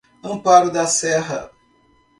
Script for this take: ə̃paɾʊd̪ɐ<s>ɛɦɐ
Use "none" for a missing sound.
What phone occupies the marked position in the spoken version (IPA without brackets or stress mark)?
s